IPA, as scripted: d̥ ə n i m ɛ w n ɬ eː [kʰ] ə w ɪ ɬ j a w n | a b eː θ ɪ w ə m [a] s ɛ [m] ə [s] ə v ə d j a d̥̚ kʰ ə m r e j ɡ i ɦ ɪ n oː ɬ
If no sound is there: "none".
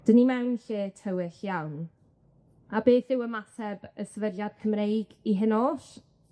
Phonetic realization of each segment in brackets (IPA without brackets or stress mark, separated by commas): tʰ, a, b, s